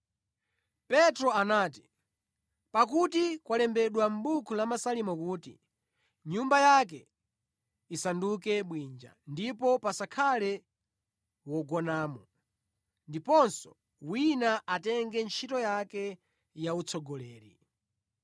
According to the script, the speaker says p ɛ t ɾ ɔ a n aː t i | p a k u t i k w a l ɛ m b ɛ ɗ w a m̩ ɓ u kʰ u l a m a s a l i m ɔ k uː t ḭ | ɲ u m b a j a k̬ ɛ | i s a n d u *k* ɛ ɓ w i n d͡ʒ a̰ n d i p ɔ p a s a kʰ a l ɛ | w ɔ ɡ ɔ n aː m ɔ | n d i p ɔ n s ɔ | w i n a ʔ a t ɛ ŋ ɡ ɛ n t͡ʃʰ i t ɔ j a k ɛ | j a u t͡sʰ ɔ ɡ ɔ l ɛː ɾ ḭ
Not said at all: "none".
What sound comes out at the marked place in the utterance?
k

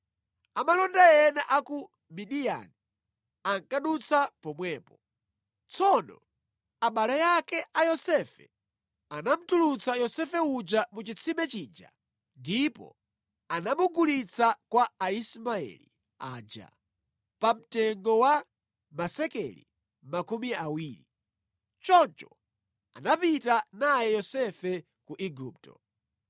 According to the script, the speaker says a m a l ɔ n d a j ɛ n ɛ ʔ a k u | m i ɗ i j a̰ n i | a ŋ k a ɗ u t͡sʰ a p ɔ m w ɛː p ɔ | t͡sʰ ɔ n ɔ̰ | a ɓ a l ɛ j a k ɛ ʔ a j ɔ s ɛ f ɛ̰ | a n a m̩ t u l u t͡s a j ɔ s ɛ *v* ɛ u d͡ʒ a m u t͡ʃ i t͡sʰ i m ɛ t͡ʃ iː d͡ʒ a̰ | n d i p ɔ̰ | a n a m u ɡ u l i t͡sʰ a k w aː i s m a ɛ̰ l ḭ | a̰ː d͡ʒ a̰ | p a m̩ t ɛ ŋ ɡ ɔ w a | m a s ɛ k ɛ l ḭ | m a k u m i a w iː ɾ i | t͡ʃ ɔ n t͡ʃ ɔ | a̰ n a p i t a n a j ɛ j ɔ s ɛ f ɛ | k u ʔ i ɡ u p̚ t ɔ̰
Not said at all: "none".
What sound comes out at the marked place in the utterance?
f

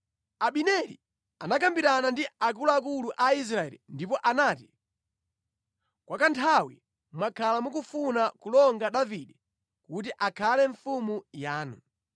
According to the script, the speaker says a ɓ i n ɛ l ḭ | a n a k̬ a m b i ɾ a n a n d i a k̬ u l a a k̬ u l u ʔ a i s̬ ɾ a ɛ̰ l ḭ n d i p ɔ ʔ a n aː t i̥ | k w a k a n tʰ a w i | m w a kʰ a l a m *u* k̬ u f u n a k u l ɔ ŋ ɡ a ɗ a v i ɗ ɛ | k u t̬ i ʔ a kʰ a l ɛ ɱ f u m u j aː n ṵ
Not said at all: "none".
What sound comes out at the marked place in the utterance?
u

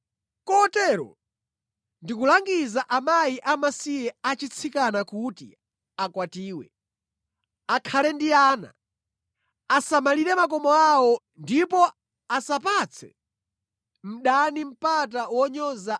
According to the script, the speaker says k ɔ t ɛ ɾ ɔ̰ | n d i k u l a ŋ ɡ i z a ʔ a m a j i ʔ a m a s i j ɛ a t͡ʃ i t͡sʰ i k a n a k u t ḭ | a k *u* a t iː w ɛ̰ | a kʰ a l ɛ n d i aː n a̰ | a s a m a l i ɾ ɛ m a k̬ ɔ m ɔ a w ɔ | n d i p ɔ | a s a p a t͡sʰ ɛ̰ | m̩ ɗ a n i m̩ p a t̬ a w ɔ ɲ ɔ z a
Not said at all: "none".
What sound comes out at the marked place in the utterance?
w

